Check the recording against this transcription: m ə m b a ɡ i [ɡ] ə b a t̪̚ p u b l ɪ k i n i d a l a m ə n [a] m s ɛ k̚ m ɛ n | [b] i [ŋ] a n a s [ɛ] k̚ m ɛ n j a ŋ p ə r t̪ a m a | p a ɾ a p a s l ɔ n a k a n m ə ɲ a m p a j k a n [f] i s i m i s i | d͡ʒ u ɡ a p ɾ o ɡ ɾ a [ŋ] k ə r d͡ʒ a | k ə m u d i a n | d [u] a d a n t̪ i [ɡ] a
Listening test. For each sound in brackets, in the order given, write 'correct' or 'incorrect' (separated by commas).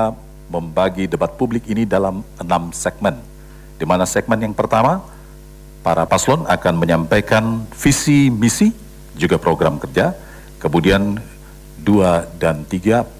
incorrect, correct, incorrect, incorrect, correct, correct, incorrect, correct, correct